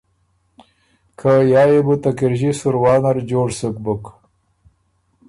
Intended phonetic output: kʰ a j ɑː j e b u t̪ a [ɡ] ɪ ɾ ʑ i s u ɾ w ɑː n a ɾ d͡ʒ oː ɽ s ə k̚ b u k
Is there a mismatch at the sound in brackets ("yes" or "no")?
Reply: yes